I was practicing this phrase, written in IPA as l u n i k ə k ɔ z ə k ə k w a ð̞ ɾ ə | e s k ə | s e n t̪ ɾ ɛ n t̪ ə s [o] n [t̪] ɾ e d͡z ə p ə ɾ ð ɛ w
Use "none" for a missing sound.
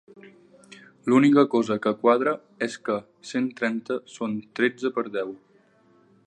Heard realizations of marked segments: o, t̪

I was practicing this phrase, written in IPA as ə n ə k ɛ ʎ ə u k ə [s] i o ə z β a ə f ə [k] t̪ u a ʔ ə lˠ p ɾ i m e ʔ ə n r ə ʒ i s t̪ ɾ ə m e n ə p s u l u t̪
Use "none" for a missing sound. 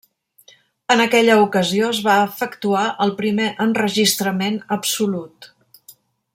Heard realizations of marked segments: z, k

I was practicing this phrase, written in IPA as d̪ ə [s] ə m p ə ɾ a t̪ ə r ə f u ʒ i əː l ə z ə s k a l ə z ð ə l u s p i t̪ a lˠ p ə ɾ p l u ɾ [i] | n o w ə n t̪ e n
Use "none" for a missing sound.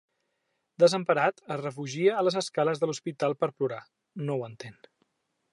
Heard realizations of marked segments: z, a

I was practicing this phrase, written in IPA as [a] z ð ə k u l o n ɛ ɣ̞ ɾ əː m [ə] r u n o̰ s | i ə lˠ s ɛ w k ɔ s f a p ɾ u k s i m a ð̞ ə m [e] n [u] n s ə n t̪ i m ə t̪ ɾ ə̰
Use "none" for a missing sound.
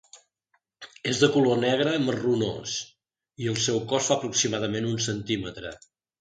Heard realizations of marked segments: e, ə, e, u

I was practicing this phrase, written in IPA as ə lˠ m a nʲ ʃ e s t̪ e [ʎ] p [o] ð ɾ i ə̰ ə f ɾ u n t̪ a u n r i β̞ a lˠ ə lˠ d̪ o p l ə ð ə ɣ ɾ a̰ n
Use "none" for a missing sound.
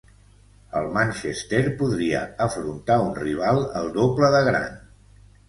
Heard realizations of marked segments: ɾ, u

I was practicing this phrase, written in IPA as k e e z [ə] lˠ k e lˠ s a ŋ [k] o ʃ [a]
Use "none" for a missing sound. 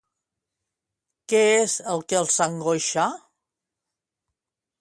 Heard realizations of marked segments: ə, ɡ, a

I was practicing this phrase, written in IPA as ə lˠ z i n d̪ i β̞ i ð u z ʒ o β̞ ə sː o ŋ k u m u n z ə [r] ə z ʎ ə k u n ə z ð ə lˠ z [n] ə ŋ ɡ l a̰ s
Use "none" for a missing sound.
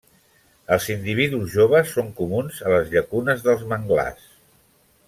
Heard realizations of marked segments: l, m

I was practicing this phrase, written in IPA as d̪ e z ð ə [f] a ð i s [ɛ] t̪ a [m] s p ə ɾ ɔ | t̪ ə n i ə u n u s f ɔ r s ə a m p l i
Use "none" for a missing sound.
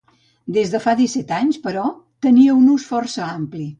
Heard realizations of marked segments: f, ɛ, ɲ

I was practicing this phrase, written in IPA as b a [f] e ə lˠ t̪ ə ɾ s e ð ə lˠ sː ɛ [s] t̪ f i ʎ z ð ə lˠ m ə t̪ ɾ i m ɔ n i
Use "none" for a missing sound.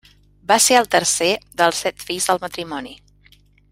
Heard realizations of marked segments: s, none

